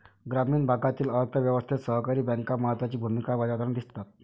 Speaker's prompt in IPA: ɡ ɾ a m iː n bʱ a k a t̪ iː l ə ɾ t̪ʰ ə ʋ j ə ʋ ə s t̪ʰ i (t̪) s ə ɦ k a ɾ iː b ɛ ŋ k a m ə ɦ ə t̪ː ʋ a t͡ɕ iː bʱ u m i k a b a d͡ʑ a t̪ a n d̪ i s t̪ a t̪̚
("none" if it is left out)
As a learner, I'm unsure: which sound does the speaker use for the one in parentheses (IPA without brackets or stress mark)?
t̪